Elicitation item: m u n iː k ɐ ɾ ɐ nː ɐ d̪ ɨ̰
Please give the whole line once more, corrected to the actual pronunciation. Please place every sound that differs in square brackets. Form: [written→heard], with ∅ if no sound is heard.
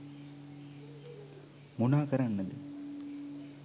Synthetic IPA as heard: m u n [iː→aː] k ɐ ɾ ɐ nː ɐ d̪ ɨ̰